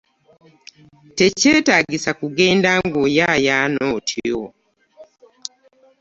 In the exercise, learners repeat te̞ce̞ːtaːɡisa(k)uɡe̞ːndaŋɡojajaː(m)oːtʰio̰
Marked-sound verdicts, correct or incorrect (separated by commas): correct, incorrect